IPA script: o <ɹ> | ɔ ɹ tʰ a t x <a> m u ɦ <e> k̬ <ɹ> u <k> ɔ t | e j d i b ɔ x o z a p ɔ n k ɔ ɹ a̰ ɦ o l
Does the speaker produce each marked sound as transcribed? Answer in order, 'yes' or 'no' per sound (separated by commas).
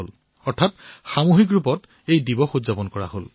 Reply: no, yes, no, yes, no